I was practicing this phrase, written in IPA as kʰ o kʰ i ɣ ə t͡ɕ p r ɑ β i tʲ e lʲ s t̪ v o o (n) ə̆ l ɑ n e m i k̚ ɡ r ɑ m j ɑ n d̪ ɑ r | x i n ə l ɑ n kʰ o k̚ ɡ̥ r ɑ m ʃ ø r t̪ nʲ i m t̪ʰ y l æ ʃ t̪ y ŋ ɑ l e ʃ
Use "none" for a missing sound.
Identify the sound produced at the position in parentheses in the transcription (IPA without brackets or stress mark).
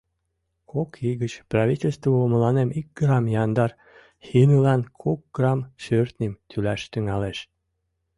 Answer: m